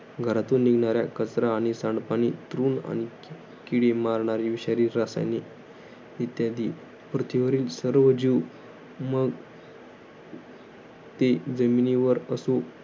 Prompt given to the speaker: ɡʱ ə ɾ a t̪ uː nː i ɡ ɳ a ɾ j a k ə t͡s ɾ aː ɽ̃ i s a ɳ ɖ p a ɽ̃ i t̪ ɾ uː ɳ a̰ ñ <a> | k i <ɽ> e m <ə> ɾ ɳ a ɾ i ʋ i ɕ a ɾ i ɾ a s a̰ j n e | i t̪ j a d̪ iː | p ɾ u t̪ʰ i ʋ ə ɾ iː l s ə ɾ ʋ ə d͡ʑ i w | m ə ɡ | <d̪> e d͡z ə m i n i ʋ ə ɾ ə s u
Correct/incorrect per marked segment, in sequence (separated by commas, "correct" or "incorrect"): incorrect, correct, incorrect, incorrect